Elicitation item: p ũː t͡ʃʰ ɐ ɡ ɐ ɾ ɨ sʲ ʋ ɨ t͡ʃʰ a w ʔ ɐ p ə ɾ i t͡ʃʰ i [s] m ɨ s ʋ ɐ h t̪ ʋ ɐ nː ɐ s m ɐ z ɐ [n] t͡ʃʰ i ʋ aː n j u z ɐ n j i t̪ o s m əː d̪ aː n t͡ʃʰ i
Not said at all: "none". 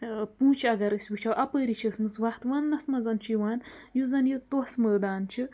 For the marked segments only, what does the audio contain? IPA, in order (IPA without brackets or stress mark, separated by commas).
s, n